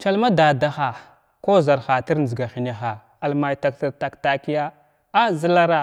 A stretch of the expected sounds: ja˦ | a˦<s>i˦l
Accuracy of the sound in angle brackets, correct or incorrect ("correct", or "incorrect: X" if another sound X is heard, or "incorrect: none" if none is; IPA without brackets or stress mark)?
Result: incorrect: z